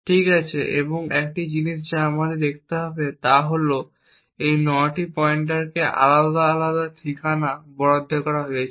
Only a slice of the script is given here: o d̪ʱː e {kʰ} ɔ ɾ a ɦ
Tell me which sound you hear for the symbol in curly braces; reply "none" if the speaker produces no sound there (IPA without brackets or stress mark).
k